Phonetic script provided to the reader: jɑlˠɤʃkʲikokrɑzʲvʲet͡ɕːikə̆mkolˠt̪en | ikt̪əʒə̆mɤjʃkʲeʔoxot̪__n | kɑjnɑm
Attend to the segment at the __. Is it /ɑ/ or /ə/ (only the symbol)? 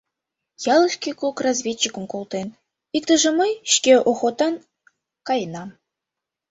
ɑ